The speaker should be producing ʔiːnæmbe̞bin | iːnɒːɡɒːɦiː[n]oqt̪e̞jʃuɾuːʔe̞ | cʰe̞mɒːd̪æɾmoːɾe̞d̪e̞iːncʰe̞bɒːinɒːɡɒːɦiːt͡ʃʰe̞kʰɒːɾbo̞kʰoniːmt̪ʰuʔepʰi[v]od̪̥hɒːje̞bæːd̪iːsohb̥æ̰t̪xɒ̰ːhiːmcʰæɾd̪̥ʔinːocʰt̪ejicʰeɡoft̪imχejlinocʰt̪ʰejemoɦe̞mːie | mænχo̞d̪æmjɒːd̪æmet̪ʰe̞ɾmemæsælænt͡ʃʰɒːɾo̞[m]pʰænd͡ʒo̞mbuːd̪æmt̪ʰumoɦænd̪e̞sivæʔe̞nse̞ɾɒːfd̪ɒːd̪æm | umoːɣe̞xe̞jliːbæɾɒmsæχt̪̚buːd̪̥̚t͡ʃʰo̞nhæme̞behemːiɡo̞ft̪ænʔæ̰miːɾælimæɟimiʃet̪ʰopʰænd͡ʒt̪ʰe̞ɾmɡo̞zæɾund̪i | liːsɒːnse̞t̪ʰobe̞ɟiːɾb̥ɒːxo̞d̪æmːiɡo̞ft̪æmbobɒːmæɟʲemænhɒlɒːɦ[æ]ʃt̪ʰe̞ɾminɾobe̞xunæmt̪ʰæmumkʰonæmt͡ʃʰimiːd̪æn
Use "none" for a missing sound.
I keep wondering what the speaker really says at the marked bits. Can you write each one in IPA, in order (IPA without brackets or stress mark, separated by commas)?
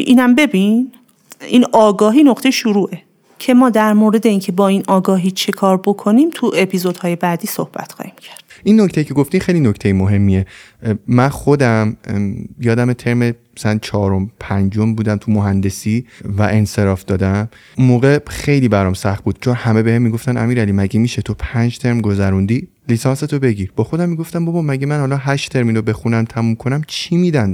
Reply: n, z, m, æ